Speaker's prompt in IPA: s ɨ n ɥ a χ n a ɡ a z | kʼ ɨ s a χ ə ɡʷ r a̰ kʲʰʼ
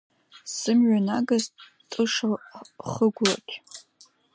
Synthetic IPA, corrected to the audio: s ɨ m ɥ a n a ɡ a z | tʼ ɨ ʂ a χ ə ɡʷ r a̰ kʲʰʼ